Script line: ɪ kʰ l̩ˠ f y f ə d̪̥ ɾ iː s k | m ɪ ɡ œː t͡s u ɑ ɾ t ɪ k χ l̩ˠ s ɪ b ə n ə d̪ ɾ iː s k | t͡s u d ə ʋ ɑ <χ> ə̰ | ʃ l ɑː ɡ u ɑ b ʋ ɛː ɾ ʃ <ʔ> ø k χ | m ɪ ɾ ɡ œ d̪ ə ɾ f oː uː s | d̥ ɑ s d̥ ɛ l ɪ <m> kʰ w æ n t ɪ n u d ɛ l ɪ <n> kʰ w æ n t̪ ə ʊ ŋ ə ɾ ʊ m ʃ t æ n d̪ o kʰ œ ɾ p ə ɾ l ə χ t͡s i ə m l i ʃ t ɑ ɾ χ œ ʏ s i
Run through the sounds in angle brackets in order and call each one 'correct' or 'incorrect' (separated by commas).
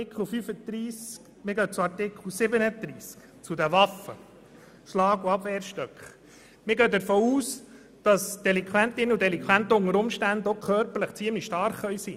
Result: incorrect, incorrect, incorrect, incorrect